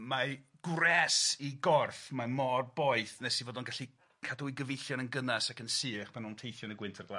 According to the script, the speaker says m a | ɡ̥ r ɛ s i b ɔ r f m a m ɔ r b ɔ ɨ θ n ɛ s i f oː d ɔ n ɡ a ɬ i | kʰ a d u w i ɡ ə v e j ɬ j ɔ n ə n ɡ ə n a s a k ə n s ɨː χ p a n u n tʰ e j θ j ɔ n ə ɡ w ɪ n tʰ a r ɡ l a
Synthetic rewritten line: m a | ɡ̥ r ɛ s i ɡ ɔ r f m a m ɔ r b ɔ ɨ θ n ɛ s i v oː d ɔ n ɡ a ɬ i | kʰ a d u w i ɡ ə v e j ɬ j ɔ n ə n ɡ ə n a s a k ə n s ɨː χ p a n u n tʰ e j θ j ɔ n ə ɡ w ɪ n tʰ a r ɡ l a